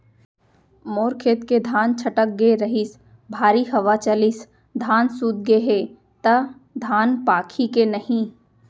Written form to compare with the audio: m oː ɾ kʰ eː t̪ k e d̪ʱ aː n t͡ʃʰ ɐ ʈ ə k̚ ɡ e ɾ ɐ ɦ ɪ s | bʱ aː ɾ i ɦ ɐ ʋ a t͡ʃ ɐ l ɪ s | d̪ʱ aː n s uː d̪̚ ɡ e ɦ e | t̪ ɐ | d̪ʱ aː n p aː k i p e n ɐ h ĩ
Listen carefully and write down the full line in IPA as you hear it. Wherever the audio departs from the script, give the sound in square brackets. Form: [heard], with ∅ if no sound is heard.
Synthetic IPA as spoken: m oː ɾ kʰ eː t̪ k e d̪ʱ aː n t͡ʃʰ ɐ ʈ ə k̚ ɡ e ɾ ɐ ɦ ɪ s | bʱ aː ɾ i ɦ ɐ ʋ a t͡ʃ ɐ l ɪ s | d̪ʱ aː n s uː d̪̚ ɡ e ɦ e | t̪ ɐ | d̪ʱ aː n p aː [kʰ] i [k] e n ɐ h ĩ